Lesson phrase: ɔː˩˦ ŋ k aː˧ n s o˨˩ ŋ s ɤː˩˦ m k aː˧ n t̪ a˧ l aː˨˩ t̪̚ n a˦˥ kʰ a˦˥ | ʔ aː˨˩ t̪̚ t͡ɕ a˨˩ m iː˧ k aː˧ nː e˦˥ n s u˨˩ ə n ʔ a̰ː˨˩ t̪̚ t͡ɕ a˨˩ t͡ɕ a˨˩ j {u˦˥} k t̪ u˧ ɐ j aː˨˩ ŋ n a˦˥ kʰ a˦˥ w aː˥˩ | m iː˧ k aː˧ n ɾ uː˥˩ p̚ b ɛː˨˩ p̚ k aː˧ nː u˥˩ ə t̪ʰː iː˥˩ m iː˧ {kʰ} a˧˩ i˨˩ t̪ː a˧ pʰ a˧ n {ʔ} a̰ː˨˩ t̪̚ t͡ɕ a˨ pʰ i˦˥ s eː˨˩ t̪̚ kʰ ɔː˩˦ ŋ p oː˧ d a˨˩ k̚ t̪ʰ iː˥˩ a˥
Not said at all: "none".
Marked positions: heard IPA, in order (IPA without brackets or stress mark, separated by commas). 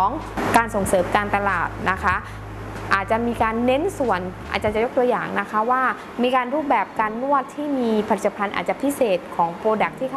o˦˥, pʰ, ʔ